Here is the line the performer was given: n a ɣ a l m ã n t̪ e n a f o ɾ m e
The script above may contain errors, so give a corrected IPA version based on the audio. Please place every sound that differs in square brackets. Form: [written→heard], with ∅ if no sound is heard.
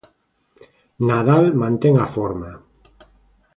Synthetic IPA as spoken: n a [ɣ→ð] a l m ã n t̪ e [n→ŋ] a f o ɾ m [e→a]